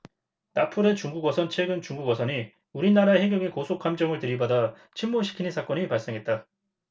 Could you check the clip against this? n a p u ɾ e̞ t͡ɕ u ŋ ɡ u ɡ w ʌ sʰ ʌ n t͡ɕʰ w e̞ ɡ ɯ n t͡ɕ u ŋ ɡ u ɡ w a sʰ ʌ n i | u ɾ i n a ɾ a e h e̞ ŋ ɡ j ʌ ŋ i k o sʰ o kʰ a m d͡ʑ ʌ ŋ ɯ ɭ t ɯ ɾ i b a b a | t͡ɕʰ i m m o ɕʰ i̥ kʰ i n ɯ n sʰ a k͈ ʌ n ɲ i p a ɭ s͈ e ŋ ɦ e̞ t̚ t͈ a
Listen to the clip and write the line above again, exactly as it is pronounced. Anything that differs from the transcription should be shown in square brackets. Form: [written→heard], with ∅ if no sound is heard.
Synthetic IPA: n a [p→pʰ] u ɾ e̞ t͡ɕ u ŋ ɡ u ɡ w ʌ sʰ ʌ n t͡ɕʰ w e̞ ɡ ɯ n t͡ɕ u ŋ ɡ u ɡ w [a→ʌ] sʰ ʌ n i | u ɾ i n a ɾ a e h e̞ ŋ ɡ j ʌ ŋ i k o sʰ o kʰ a m d͡ʑ ʌ ŋ ɯ ɭ t ɯ ɾ i b a [b→d] a | t͡ɕʰ i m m o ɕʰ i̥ kʰ i n ɯ n sʰ a k͈ ʌ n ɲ i p a ɭ s͈ e ŋ ɦ e̞ t̚ t͈ a